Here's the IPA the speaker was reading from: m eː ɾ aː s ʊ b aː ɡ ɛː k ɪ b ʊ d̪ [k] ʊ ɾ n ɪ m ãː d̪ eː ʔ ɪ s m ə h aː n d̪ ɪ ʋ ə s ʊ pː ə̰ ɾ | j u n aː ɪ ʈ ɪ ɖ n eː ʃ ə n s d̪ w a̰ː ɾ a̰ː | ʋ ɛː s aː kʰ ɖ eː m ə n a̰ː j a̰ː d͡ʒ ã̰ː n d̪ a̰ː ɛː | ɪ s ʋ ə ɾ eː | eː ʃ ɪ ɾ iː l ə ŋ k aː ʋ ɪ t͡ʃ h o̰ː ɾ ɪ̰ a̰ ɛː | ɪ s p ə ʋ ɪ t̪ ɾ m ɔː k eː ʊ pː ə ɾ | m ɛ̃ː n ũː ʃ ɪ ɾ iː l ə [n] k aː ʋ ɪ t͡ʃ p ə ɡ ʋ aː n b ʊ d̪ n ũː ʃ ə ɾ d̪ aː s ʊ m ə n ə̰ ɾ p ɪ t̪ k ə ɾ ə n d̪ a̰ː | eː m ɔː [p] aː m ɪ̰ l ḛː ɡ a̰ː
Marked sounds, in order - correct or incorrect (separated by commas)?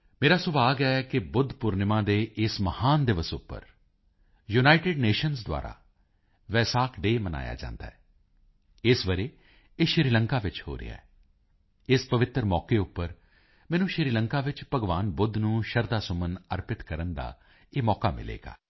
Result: incorrect, incorrect, incorrect